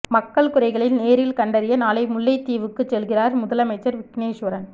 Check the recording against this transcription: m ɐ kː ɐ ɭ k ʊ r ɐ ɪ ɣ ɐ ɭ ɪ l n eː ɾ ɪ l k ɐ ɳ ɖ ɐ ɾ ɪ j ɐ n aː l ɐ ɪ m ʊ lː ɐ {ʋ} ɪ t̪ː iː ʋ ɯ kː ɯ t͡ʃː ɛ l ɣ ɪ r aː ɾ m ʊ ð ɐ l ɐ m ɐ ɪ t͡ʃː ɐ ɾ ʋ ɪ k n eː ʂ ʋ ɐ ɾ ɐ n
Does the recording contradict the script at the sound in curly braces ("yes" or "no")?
yes